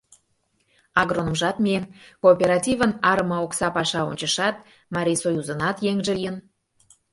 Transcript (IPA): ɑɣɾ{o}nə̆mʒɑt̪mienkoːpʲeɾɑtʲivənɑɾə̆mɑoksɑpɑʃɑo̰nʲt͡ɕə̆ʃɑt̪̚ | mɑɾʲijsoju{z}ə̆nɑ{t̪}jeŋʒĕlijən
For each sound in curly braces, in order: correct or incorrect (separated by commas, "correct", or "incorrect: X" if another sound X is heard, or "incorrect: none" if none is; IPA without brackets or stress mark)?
correct, correct, correct